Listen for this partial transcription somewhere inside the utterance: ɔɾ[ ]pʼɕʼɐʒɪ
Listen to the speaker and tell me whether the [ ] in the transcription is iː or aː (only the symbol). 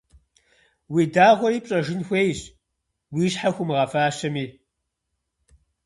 iː